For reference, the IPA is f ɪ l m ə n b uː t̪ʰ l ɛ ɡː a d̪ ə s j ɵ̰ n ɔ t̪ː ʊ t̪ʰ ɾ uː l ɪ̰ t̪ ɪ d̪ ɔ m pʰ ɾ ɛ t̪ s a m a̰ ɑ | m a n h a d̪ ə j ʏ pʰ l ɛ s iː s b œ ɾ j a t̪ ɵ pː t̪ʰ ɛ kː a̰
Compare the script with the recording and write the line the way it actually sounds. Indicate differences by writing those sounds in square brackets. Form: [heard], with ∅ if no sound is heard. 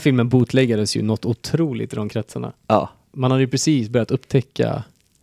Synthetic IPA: f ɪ l m ə n b uː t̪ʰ l ɛ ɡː a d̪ ə s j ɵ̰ n ɔ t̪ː ʊ t̪ʰ ɾ uː l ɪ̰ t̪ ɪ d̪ ɔ m [kʰ] ɾ ɛ t̪ s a [ɳ] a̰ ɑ | m a n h a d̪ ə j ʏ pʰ [ɾ] ɛ s iː s b œ ɾ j a t̪ ɵ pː t̪ʰ ɛ kː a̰